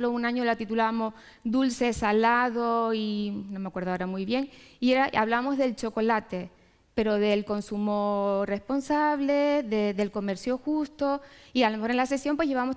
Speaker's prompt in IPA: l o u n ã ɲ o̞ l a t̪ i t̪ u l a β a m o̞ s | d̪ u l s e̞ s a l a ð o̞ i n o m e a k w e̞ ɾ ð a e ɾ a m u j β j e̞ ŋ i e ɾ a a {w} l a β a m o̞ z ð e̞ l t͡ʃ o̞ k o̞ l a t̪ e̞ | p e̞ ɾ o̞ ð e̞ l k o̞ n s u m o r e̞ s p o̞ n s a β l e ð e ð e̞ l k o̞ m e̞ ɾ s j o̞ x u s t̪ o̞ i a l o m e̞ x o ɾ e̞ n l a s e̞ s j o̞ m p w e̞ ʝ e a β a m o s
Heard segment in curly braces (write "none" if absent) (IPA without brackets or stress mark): β